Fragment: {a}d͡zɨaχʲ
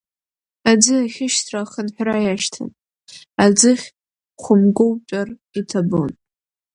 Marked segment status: correct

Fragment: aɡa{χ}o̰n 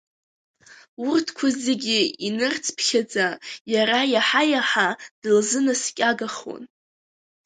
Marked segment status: correct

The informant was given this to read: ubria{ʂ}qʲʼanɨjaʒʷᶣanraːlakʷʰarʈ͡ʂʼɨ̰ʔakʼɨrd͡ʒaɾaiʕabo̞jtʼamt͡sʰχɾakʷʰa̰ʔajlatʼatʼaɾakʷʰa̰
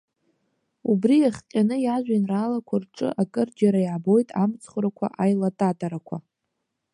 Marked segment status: incorrect: χ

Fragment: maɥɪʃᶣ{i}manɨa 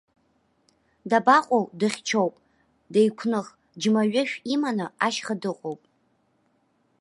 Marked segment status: correct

